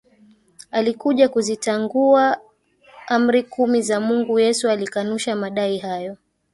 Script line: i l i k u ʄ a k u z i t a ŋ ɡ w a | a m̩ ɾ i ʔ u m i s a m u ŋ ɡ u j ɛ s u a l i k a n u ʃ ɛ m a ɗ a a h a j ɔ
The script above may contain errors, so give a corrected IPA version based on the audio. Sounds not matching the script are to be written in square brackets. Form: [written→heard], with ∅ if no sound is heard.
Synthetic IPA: [i→a] l i k u ʄ a k u z i t a ŋ ɡ [w→u] a | a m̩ ɾ i [ʔ→k] u m i [s→z] a m u ŋ ɡ u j ɛ s u a l i k a n u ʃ [ɛ→a] m a ɗ a [a→i] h a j ɔ

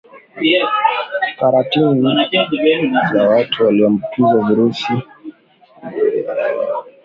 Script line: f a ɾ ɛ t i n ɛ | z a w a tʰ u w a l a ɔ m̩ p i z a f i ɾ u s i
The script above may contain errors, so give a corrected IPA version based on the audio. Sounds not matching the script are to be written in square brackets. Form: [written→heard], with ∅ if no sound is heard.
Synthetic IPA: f a ɾ [ɛ→a] t i n [ɛ→i] | z a w a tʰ u w a l [a→i] ɔ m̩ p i z a [f→v] i ɾ u s i

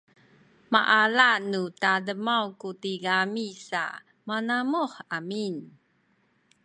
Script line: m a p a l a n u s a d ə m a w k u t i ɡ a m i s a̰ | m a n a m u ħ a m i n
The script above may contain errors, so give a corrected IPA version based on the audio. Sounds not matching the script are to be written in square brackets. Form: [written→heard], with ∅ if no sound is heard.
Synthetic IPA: m a [p→ʔ] a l a n u [s→t] a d ə m a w k u t i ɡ a m i s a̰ | m a n a m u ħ a m i n

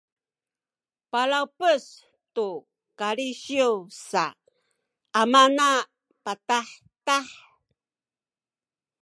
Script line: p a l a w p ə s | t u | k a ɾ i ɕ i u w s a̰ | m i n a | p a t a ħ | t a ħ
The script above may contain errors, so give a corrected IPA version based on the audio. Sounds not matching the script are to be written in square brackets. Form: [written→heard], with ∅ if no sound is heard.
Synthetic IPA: p a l a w p ə s | t u | k a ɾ i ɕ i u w s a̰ | m [i→a] n a | p a t a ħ | t a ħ

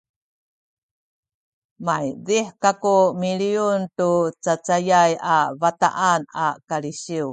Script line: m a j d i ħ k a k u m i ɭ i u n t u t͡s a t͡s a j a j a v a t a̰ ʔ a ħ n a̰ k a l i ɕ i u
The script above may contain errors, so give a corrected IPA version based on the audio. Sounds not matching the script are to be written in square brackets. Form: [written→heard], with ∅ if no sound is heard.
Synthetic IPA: m a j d i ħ k a k u m i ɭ i u n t u t͡s a t͡s a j a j a v a t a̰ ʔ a [ħ→∅] n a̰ k a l i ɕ i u

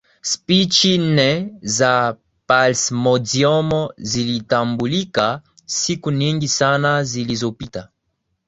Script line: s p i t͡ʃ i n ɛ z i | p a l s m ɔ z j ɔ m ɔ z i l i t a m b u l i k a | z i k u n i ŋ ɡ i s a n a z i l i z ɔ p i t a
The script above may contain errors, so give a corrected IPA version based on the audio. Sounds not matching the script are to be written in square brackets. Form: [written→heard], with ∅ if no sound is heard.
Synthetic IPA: s p i t͡ʃ i n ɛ z [i→a] | p a l s m ɔ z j ɔ m ɔ z i l i t a m b u l i k a | [z→s] i k u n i ŋ ɡ i s a n a z i l i z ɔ p i t a

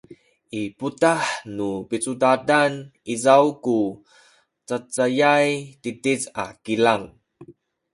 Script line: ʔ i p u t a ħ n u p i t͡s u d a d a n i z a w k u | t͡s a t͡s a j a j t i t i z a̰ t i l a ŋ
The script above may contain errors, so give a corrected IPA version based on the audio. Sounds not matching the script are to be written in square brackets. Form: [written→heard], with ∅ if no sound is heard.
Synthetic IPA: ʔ i p u t a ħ n u p i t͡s u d a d a n i z a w k u | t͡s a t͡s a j a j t i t i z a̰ [t→k] i l a ŋ

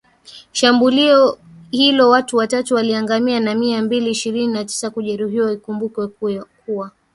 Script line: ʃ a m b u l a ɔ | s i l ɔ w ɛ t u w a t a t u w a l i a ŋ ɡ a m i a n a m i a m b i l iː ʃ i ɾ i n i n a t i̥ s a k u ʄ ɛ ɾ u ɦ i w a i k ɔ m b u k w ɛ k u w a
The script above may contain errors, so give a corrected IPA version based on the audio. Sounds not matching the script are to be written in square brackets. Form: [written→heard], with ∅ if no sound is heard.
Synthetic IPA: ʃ a m b u l [a→i] ɔ | [s→h] i l ɔ w [ɛ→a] t u w a t a t u w a l i a ŋ ɡ a m i a n a m i a m b i l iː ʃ i ɾ i n i n a t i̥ s a k u ʄ ɛ ɾ u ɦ i w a i k [ɔ→u] m b u k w ɛ k u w a

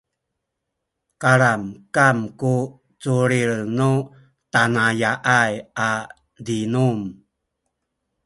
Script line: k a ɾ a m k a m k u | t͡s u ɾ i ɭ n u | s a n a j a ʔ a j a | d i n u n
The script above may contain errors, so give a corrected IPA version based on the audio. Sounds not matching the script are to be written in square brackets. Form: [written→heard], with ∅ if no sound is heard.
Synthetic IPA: k a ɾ a m k a m k u | t͡s u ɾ i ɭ n u | [s→t] a n a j a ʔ a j a | d i n u [n→m]

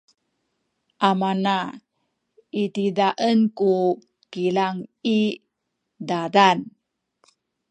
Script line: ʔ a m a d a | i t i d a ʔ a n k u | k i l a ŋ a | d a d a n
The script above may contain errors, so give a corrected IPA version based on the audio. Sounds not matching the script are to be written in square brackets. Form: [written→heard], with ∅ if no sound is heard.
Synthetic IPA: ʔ a m a [d→n] a | i t i d a ʔ [a→ə] n k u | k i l a ŋ [a→i] | d a d a n

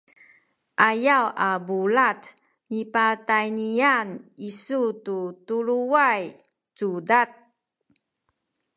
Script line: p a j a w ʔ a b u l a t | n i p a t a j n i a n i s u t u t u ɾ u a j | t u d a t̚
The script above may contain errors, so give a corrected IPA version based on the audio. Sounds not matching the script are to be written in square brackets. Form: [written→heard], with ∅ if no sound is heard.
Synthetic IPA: [p→ʔ] a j a w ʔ a b u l a t | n i p a t a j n i a n i s u t u t u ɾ u a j | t u d a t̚

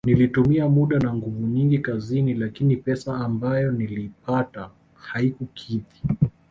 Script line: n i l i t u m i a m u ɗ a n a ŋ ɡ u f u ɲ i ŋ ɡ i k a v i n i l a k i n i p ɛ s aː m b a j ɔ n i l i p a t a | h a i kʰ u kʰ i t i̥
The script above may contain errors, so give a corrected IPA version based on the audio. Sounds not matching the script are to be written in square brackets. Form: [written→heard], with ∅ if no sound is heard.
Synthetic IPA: n i l i t u m i a m u ɗ a n a ŋ ɡ u [f→v] u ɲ i ŋ ɡ i k a [v→z] i n i l a k i n i p ɛ s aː m b a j ɔ n i l i p a t a | h a i [kʰ→k] u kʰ i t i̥

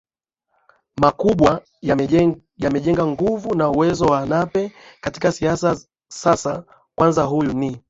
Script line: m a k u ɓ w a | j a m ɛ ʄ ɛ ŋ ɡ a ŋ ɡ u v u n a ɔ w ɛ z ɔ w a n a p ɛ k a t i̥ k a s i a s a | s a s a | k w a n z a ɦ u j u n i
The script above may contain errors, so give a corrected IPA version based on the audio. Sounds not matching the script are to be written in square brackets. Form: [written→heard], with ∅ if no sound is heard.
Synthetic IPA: m a k u ɓ w a | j a m ɛ ʄ ɛ ŋ ɡ a ŋ ɡ u v u n a [ɔ→u] w ɛ z ɔ w a n a p ɛ k a t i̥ k a s i a s a | s a s a | k w a n z a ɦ u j u n i

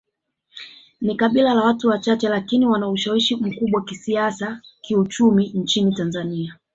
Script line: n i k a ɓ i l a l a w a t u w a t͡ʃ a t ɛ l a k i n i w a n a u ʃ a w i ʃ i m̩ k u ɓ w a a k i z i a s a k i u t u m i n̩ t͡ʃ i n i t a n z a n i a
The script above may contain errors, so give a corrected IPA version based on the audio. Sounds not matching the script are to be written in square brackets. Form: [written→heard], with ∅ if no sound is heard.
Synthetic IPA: n i k a ɓ i l a l a w a t u w a t͡ʃ a [t→t͡ʃ] ɛ l a k i n i w a n a u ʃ a w i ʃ i m̩ k u ɓ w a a k i [z→s] i a s a k i u [t→t͡ʃ] u m i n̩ t͡ʃ i n i t a n z a n i a

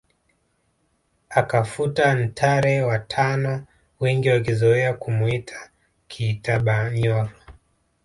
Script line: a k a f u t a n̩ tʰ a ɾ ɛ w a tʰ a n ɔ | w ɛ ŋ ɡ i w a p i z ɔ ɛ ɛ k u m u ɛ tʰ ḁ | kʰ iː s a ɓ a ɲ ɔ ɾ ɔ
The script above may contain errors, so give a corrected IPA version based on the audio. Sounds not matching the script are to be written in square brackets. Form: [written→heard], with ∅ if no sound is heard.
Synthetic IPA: a k a f u t a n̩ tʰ a ɾ ɛ w a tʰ a n ɔ | w ɛ ŋ ɡ i w a [p→k] i z ɔ ɛ [ɛ→a] k u m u [ɛ→i] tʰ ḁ | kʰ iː [s→t] a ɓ a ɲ ɔ ɾ ɔ

